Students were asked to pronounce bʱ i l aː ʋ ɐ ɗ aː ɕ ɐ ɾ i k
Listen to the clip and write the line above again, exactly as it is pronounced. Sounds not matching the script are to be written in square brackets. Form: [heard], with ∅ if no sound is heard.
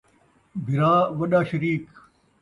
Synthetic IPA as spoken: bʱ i [ɾ] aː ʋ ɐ ɗ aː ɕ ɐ ɾ [iː] k